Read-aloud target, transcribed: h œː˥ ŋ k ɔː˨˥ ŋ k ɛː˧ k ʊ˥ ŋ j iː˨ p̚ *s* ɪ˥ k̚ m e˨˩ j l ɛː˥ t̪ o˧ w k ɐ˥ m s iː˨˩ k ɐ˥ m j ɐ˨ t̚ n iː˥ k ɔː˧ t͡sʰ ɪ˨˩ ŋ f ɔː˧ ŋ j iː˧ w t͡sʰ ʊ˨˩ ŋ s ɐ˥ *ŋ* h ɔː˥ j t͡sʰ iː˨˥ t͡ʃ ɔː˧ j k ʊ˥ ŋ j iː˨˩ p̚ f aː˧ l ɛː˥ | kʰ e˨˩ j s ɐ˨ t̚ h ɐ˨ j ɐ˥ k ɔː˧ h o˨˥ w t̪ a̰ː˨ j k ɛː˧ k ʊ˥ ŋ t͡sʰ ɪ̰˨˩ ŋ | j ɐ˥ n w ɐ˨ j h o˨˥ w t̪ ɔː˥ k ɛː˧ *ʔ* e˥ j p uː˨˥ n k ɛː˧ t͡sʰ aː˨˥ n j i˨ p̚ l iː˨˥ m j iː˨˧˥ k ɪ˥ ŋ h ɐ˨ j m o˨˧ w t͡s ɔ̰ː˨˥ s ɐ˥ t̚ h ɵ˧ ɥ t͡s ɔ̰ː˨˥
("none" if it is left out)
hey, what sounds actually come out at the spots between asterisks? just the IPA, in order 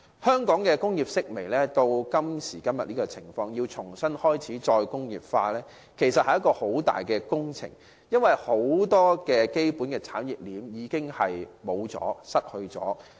s, n, k

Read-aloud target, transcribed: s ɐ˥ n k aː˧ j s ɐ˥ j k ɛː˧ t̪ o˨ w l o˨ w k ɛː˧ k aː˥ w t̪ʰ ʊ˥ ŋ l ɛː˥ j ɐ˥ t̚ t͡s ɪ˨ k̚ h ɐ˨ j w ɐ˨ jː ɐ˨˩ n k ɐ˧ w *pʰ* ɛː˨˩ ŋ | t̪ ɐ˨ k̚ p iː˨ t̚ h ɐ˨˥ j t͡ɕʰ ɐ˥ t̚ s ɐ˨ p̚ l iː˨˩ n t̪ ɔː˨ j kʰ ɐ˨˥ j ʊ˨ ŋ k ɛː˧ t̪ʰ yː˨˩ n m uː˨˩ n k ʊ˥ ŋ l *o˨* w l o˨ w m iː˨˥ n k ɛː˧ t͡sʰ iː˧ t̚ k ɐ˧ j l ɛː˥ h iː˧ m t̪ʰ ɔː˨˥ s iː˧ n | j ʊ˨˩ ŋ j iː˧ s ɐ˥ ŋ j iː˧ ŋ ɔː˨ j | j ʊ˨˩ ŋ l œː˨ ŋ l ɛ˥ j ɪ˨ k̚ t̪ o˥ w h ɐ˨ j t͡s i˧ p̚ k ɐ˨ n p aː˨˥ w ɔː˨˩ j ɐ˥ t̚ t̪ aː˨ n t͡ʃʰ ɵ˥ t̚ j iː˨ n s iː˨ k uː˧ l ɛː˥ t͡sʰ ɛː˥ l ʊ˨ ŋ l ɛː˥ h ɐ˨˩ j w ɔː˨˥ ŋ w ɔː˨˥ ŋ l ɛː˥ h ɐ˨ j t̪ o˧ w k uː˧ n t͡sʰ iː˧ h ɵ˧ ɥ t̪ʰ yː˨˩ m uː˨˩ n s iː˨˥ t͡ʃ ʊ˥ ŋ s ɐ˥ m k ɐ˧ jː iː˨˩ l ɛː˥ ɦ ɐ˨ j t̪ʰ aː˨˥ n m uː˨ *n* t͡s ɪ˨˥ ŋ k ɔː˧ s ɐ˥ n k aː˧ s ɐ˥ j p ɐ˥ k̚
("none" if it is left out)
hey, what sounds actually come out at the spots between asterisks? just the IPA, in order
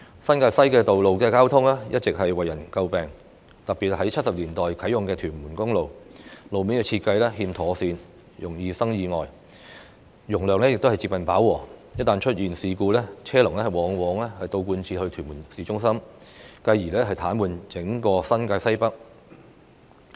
p, o˨, n

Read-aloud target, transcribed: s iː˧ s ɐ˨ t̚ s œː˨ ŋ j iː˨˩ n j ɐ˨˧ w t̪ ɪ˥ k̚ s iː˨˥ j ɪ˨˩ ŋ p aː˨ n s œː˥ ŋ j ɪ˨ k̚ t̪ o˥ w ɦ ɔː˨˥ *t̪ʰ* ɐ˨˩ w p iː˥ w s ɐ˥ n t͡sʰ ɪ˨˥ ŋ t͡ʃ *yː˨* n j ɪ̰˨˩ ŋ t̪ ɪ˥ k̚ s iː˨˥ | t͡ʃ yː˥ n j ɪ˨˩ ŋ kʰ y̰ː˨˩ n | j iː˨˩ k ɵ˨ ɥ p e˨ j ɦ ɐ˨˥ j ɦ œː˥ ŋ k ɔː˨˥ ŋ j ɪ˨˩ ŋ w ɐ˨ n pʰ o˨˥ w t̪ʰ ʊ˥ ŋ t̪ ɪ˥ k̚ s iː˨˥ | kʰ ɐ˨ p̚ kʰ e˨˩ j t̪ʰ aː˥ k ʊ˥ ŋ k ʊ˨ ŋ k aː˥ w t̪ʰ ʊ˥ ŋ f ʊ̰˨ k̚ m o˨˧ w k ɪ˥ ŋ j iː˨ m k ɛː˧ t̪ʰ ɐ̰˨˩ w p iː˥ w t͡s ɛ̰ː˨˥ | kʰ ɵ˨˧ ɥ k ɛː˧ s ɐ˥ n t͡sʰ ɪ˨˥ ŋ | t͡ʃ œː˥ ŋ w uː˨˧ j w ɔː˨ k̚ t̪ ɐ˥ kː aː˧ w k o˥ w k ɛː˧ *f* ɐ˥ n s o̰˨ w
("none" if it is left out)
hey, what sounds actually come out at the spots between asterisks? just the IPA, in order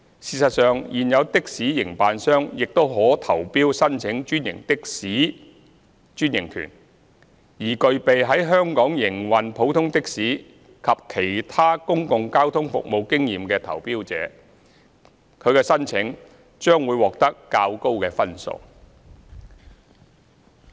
t̪ʰ, yː˥, f

